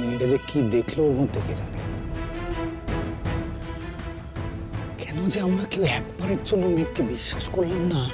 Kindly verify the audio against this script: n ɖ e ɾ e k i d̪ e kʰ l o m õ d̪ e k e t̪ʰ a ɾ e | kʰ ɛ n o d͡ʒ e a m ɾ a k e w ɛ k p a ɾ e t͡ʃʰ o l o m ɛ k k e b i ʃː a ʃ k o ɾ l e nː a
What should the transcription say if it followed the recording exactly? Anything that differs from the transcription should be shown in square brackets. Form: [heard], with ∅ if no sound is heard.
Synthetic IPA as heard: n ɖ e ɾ e k i d̪ e kʰ l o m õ [t̪] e k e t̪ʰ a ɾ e | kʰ ɛ n o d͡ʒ e a m ɾ a k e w ɛ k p a ɾ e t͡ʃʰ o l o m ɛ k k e b i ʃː a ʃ k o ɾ l e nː a

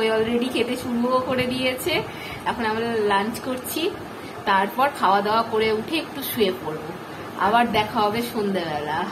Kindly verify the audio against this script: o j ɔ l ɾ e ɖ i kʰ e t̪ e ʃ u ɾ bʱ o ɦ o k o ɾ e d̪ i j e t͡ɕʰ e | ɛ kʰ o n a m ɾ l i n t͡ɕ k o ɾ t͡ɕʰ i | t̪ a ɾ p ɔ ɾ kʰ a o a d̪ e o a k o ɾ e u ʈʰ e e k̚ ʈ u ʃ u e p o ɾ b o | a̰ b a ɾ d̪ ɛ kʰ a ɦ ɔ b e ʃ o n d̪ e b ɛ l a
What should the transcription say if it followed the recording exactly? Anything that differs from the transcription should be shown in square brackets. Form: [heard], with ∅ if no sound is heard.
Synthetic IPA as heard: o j ɔ l ɾ e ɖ i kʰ e t̪ e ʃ u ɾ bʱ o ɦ o k o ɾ e d̪ i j e t͡ɕʰ e | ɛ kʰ o n a m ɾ l [a] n t͡ɕ k o ɾ t͡ɕʰ i | t̪ a ɾ p ɔ ɾ kʰ a o a d̪ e o a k o ɾ e u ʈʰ e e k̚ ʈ u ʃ u e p o ɾ b o | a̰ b a ɾ d̪ ɛ kʰ a ɦ ɔ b e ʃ o n d̪ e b ɛ l a

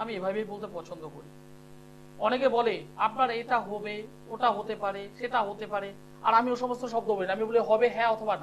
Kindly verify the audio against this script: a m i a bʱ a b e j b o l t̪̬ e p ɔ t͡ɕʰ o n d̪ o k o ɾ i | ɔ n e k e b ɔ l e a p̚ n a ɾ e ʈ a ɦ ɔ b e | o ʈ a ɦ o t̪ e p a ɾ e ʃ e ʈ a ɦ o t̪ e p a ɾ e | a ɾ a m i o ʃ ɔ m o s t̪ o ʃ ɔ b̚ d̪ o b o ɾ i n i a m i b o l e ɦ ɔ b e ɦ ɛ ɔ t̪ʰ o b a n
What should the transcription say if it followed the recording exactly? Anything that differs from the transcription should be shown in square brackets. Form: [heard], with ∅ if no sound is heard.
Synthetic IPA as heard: a m i [e] bʱ a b e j b o l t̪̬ e p ɔ t͡ɕʰ o n d̪ o k o ɾ i | ɔ n e k e b ɔ l e a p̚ n a ɾ e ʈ a ɦ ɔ b e | o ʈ a ɦ o t̪ e p a ɾ e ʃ e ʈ a ɦ o t̪ e p a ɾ e | a ɾ a m i o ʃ ɔ m o s t̪ o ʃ ɔ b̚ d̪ o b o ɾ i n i a m i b o l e ɦ ɔ b e ɦ ɛ ɔ t̪ʰ o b a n

